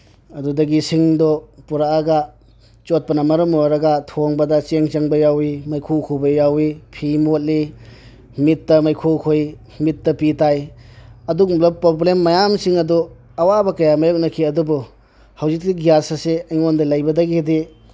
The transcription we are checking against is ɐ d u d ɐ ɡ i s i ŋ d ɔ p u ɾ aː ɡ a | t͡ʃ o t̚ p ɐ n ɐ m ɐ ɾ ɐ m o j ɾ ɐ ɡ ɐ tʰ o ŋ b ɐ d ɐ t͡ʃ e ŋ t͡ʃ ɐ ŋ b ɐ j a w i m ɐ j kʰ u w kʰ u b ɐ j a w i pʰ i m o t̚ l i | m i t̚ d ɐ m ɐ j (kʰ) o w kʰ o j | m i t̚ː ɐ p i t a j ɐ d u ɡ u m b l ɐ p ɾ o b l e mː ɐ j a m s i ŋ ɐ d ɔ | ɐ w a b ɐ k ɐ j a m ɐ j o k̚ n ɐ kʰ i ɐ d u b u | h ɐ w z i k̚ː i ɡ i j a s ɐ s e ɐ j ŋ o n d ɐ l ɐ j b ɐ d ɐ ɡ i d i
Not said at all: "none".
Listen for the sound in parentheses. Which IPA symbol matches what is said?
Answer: kʰ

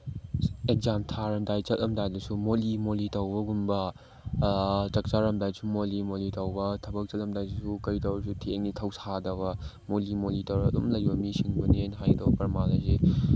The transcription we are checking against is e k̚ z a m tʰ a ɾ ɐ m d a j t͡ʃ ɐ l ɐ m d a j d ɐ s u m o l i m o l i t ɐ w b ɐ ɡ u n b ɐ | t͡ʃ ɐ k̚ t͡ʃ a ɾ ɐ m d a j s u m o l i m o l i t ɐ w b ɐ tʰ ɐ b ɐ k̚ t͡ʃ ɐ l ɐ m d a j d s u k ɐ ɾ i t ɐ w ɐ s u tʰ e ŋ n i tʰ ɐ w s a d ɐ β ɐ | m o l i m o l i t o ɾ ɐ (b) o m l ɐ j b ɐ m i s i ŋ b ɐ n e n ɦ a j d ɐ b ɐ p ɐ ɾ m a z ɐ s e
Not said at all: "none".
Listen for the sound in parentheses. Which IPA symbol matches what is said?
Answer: d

